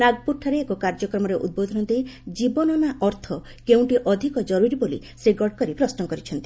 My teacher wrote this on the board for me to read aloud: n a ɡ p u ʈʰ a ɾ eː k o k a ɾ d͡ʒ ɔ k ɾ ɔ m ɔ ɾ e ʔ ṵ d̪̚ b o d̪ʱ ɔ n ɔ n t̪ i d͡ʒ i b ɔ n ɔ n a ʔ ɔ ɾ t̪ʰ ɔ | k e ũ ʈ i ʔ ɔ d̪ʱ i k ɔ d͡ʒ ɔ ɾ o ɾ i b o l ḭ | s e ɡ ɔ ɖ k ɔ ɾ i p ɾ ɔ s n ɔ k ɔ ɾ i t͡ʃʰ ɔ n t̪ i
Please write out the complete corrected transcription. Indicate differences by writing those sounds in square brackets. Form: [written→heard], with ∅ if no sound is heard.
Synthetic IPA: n a ɡ p u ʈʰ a ɾ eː k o k a ɾ d͡ʒ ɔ k ɾ ɔ m ɔ ɾ e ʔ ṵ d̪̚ b o d̪ʱ ɔ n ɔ n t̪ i d͡ʒ i b ɔ n ɔ n a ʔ ɔ ɾ t̪ʰ ɔ | k e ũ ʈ i ʔ ɔ d̪ʱ i k ɔ d͡ʒ ɔ ɾ [o→u] ɾ i b o l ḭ | s e ɡ ɔ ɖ k ɔ ɾ i p ɾ ɔ s n ɔ k ɔ ɾ i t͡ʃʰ ɔ n t̪ i